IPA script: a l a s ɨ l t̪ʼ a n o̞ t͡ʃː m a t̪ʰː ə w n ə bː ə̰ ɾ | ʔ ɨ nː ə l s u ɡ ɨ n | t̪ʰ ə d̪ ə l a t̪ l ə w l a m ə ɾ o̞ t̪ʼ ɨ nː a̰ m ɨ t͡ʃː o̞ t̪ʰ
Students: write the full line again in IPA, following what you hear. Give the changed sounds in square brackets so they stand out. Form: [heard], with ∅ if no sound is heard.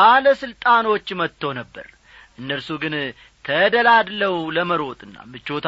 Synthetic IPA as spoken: a l [ə] s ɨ l t̪ʼ a n o̞ t͡ʃː m [ə] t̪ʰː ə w n ə bː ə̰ ɾ | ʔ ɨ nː ə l s u ɡ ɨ n | t̪ʰ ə d̪ ə l a [d̪] l ə w l [ə] m ə ɾ o̞ t̪ʼ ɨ nː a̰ m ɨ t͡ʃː o̞ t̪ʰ